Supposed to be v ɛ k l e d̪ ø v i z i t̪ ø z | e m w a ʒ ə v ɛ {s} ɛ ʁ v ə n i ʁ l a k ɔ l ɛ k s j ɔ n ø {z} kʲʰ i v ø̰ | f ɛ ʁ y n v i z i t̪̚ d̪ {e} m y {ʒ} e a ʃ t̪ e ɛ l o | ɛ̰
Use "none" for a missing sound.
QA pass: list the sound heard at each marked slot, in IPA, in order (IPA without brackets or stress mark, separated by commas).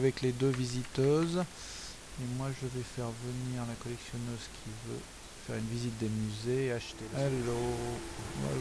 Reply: f, z, e, z